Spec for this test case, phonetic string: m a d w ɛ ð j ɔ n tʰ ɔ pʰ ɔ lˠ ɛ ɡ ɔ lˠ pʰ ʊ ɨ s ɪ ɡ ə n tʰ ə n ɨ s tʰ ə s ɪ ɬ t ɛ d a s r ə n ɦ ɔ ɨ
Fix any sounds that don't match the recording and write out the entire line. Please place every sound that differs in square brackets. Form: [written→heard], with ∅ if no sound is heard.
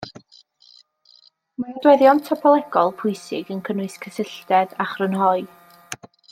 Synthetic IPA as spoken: m a d w ɛ ð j ɔ n tʰ ɔ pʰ ɔ lˠ ɛ ɡ ɔ lˠ pʰ ʊ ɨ s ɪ ɡ ə n [tʰ→kʰ] ə n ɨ s [tʰ→kʰ] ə s ɪ ɬ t ɛ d a [s→χ] r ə n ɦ ɔ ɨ